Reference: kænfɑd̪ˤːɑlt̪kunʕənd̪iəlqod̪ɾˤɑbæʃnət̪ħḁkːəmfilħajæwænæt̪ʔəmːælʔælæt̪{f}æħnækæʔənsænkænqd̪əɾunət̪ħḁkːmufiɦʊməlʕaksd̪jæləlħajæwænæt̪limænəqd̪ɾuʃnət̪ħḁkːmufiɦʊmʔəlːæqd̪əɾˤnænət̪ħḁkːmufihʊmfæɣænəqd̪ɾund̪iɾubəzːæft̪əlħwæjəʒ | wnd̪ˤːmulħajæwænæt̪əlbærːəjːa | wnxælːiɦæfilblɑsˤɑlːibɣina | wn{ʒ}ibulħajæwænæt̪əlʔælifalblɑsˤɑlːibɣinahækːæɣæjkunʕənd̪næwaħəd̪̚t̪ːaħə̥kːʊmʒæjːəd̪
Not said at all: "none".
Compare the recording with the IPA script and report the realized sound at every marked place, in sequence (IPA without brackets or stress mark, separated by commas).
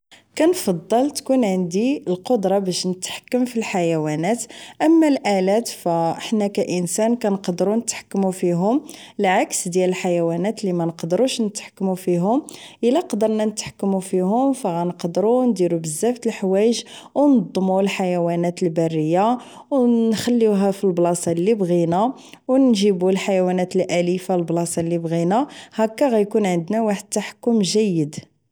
f, ʒ